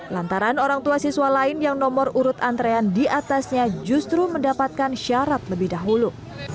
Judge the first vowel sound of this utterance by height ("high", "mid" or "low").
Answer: low